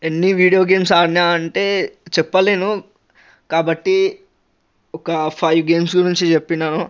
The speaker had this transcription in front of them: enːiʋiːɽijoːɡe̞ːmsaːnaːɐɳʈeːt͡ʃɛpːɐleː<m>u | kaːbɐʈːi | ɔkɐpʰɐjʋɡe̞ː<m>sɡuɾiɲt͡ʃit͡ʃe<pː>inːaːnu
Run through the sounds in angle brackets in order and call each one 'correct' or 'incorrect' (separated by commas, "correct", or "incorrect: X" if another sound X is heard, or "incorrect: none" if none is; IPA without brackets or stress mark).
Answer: incorrect: n, correct, correct